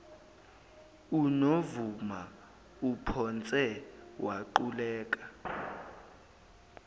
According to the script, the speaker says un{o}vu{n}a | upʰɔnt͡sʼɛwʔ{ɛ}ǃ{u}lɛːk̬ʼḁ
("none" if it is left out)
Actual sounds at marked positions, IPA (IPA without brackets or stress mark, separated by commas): o, m, a, u